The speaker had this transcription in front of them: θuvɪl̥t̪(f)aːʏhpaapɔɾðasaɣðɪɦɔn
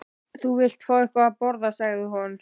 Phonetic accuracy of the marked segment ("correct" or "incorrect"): correct